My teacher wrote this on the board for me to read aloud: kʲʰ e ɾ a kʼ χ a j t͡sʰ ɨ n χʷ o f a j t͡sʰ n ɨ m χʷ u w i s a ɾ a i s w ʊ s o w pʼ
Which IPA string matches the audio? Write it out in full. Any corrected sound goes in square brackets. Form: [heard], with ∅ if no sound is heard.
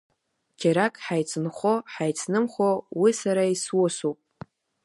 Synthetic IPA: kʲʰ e ɾ a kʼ [ħ] a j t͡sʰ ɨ n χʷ o [ħ] a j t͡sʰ n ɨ m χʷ [o] w i s a ɾ a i s w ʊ s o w pʼ